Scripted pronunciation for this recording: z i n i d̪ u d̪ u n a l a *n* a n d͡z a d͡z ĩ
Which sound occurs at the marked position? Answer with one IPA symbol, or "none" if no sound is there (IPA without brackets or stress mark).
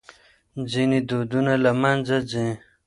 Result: m